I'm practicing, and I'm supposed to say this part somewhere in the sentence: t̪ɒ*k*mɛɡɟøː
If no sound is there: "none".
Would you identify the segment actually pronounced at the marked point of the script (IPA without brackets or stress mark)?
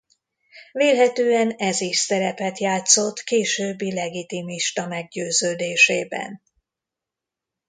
none